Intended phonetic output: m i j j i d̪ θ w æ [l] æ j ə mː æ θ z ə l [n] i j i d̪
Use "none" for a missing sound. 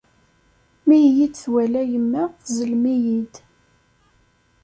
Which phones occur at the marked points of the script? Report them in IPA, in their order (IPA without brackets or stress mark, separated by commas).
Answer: l, m